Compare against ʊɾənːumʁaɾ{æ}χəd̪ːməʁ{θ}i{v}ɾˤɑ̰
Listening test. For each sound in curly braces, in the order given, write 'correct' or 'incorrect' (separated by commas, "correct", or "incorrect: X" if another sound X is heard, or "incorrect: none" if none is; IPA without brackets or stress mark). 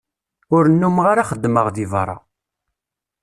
incorrect: a, incorrect: ð, correct